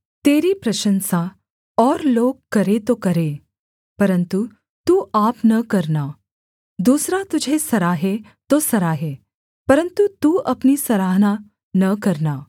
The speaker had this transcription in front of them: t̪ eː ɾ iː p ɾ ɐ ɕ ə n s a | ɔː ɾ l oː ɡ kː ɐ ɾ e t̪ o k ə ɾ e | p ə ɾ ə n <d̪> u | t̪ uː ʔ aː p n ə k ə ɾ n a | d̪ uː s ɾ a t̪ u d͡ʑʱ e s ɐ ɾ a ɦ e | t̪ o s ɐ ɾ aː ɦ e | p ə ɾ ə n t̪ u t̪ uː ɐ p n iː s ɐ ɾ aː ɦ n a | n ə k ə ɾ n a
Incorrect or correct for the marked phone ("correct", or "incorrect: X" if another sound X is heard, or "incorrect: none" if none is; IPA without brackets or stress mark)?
incorrect: t̪